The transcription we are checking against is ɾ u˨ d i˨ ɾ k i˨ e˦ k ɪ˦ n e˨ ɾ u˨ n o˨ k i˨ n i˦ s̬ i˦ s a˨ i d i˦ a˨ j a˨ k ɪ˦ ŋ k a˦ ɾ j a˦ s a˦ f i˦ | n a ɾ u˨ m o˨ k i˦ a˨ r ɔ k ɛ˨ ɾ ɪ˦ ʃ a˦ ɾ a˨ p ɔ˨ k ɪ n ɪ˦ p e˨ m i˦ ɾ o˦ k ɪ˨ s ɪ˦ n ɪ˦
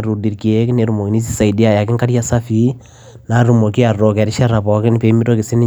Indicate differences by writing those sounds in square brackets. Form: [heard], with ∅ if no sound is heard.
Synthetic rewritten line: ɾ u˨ d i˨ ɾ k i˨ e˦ k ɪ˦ n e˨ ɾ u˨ [m] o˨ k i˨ n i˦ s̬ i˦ s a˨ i d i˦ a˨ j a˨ k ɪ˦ ŋ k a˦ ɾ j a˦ s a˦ f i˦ | n a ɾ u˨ m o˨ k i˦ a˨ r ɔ k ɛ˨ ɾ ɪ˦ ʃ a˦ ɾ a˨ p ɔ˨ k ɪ n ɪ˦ p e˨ m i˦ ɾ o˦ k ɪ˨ s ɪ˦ n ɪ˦